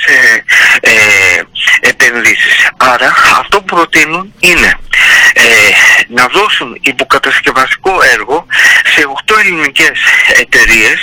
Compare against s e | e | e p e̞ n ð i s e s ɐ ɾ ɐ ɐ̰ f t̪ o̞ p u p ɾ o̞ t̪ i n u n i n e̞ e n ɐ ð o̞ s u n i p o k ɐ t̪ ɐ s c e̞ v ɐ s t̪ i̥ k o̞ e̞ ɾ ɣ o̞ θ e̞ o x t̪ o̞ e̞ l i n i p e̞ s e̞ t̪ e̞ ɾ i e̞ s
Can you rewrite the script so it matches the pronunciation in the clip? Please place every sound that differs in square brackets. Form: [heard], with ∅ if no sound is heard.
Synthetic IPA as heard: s e | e | e p e̞ n ð i s [i] s ɐ ɾ ɐ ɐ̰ f t̪ o̞ p u p ɾ o̞ t̪ i n u n i n e̞ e n ɐ ð o̞ s u n i p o k ɐ t̪ ɐ s c e̞ v ɐ s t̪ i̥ k o̞ e̞ ɾ ɣ o̞ [s] e̞ o x t̪ o̞ e̞ l i n i [c] e̞ s e̞ t̪ e̞ ɾ i e̞ s